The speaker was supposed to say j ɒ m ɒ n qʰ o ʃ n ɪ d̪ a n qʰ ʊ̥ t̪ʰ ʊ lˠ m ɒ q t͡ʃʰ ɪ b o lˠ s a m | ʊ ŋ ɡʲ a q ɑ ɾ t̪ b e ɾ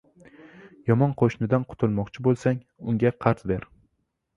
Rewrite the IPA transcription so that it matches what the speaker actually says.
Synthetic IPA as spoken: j ɒ m ɒ n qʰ o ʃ n ɪ d̪ a n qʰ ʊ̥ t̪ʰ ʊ lˠ m ɒ q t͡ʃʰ ɪ b o lˠ s a ŋ | ʊ ŋ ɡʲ a qʰ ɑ ɾ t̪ b e ɾ